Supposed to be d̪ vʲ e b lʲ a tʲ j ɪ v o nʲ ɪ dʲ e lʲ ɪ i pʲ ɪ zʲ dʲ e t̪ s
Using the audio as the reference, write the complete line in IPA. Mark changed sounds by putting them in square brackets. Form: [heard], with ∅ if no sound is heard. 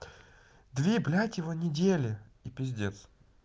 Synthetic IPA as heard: d̪ vʲ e b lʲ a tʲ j ɪ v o nʲ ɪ dʲ e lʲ ɪ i pʲ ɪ zʲ dʲ e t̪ s

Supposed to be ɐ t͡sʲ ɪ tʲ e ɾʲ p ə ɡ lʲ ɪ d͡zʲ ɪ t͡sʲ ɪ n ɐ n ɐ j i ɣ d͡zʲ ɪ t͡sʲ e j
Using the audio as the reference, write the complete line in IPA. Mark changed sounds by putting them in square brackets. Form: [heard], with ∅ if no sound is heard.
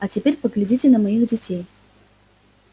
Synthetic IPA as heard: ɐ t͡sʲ ɪ [pʲ] e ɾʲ p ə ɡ lʲ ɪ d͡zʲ [i] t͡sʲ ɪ n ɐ [m] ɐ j i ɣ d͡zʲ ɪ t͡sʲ e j

